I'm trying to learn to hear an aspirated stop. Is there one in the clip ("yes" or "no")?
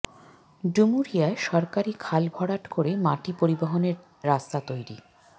yes